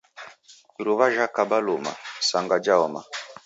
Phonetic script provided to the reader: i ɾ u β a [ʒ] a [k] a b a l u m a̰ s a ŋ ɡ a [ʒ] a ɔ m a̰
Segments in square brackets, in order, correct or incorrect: correct, correct, incorrect

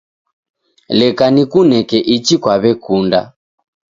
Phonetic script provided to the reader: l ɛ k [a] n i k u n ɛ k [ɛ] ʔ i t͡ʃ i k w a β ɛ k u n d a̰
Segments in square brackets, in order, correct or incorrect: correct, correct

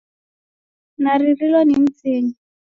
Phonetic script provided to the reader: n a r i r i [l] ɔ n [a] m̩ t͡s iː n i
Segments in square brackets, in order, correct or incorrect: correct, incorrect

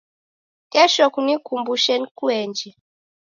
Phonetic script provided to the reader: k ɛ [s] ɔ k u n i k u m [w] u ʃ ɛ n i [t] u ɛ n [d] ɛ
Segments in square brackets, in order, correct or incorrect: incorrect, incorrect, incorrect, incorrect

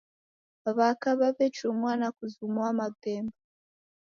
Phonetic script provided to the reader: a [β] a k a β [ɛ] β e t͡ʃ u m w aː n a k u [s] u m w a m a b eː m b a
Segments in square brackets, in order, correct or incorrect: correct, incorrect, incorrect

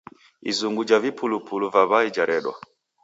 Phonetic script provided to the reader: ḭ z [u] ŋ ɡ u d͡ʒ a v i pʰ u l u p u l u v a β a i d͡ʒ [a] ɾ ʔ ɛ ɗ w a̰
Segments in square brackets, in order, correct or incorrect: correct, correct

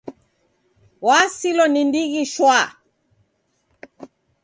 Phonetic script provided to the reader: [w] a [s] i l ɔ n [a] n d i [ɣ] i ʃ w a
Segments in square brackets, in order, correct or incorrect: correct, correct, incorrect, correct

